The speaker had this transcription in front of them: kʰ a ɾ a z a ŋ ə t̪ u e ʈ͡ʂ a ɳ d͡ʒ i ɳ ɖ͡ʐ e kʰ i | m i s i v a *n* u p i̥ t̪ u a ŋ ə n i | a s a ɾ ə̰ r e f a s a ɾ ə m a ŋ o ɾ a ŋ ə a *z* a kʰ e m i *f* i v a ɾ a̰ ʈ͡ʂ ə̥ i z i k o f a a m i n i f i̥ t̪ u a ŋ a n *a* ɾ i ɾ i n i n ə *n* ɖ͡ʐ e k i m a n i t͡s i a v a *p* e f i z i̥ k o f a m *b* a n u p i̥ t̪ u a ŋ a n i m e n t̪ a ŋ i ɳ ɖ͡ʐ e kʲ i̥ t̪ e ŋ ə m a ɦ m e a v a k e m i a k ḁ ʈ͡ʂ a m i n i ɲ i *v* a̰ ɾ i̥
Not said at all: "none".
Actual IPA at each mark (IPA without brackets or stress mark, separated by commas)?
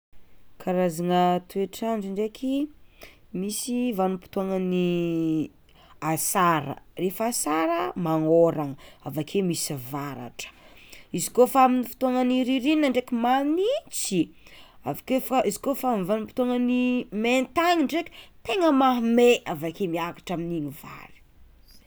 n, v, s, i, ɳ, k, v, v